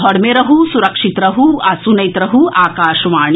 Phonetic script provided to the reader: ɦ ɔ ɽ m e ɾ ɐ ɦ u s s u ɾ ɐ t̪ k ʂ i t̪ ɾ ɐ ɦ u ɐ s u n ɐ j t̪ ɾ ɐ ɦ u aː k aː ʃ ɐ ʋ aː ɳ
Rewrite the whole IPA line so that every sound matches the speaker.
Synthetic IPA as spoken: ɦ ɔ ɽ m e ɾ ɐ ɦ u s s u ɾ ɐ k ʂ i t̪ ɾ ɐ ɦ u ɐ s u n ɐ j t̪ ɾ ɐ ɦ u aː k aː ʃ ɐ ʋ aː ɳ

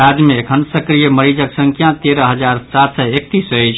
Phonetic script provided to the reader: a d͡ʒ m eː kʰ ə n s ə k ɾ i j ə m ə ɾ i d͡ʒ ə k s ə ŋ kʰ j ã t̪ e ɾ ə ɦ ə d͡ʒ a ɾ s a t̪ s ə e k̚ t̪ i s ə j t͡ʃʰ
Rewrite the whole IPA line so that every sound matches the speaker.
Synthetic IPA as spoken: a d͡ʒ m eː kʰ ə n s ə k ɾ i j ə m ə ɾ i d͡ʒ ə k s ə ŋ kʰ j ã t̪ e ɾ ə ɦ ə d͡ʒ a ɾ s a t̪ s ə e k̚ t̪ i s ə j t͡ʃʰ

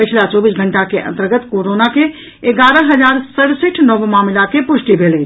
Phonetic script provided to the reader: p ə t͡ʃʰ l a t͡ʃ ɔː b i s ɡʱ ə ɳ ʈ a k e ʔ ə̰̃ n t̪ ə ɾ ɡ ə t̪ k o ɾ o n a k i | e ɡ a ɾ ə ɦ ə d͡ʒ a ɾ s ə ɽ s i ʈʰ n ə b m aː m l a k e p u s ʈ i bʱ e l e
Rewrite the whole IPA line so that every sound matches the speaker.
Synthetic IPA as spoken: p ə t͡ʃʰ l a t͡ʃ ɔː b i s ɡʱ ə ɳ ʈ a k e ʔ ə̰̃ n t̪ ə ɾ ɡ ə t̪ k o ɾ o n a k e | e ɡ a ɾ ə ɦ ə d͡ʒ a ɾ s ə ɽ s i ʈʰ n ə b m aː m l a k e p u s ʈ i bʱ e l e

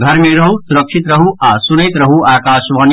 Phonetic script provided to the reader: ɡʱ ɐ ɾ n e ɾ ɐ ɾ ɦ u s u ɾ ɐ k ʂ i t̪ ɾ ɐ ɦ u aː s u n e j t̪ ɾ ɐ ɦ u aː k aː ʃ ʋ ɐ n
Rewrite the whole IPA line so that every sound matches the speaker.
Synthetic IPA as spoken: ɡʱ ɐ ɾ m e ɾ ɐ ɦ u s u ɾ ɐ k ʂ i t̪ ɾ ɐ ɦ u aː s u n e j t̪ ɾ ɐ ɦ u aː k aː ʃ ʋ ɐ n

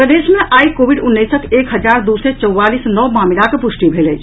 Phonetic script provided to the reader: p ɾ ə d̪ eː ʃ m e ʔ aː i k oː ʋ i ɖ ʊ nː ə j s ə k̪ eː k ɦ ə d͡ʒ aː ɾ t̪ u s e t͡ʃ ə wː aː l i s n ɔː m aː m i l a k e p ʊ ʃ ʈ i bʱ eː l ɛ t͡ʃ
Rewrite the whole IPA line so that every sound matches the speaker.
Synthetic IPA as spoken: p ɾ ə d̪ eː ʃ m e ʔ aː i k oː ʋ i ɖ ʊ nː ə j s ə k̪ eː k ɦ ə d͡ʒ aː ɾ d̪ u s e t͡ʃ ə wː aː l i s n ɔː m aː m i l a k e p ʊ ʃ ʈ i bʱ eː l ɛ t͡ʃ

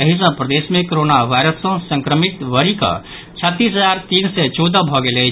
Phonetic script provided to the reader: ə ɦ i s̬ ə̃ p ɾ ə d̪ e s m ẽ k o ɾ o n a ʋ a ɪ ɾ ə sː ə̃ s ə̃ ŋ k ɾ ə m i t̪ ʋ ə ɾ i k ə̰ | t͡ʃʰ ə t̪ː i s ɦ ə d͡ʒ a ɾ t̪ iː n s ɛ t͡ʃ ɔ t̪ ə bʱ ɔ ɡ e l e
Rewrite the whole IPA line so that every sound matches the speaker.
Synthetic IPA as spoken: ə ɦ i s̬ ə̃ p ɾ ə d̪ e s m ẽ k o ɾ o n a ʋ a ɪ ɾ ə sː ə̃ s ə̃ ŋ k ɾ ə m i t̪ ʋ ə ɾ i k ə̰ | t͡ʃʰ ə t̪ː i s ɦ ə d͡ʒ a ɾ t̪ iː n s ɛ t͡ʃ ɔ d̪ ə bʱ ɔ ɡ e l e

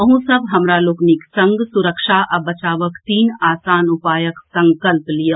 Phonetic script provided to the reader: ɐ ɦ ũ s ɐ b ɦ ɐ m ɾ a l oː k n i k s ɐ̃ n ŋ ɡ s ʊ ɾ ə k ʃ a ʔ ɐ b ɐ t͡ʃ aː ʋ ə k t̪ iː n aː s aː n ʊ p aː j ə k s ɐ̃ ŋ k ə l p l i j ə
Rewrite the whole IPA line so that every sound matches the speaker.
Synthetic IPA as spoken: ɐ ɦ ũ s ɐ b ɦ ɐ m ɾ a l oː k n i k s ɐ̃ ŋ ɡ s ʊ ɾ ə k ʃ a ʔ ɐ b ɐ t͡ʃ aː ʋ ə k t̪ iː n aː s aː n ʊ p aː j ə k s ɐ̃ ŋ k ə l p l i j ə

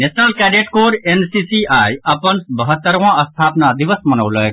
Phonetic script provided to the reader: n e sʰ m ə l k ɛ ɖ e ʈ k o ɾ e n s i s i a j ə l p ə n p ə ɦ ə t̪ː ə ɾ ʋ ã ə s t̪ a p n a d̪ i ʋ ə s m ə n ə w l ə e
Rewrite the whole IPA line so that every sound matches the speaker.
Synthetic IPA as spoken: n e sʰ n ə l k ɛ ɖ e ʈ k o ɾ e n s i s i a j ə p ə n b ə ɦ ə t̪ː ə ɾ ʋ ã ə s t̪ʰ a p n a d̪ i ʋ ə s m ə n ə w l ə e

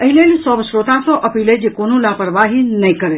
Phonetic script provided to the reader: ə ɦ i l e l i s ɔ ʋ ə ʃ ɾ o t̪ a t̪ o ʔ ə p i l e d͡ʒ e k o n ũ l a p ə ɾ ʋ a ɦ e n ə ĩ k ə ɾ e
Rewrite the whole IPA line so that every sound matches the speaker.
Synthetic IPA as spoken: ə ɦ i l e l i s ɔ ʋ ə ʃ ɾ o t̪ a t̪ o ʔ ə p i l e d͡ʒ e k o n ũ l a p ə ɾ ʋ a ɦ i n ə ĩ k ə ɾ e

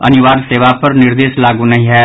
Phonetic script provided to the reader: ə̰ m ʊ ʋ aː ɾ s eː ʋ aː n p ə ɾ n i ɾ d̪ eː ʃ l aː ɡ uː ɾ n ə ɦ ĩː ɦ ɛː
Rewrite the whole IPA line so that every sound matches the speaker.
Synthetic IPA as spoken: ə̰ n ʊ ʋ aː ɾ s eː ʋ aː p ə ɾ n ɪ ɾ d̪ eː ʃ l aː ɡ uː n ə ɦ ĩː ɦ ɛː

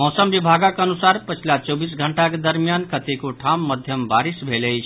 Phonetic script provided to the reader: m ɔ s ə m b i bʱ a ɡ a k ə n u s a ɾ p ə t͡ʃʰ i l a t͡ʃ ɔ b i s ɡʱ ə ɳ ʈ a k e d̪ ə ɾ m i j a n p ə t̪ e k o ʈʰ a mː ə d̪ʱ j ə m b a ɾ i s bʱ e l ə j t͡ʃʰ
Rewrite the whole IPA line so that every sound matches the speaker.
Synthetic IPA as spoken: m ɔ s ə m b i bʱ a ɡ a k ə n u s a ɾ p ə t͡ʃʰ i l a t͡ʃ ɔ b i s ɡʱ ə ɳ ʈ a k e d̪ ə ɾ m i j a n k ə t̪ e k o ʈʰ a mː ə d̪ʱ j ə m b a ɾ i s bʱ e l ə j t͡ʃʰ

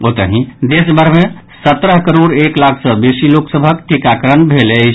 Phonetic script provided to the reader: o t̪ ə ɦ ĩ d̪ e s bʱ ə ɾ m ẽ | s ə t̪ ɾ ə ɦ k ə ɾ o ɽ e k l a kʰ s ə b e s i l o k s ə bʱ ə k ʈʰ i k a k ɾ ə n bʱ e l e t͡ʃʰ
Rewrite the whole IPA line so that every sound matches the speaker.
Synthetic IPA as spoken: o t̪ ə ɦ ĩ d̪ e s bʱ ə ɾ m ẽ | s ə t̪ ɾ ə ɦ k ə ɾ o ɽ e k l a kʰ s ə b e s i l o k s ə bʱ ə k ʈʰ i k a k ɾ ə n bʱ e l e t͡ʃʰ

